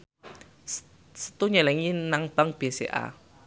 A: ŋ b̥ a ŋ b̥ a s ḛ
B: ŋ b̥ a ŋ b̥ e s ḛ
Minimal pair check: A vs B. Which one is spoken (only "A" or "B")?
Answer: B